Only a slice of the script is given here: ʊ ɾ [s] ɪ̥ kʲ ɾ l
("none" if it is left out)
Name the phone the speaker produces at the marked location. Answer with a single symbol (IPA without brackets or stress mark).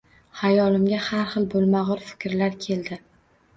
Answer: f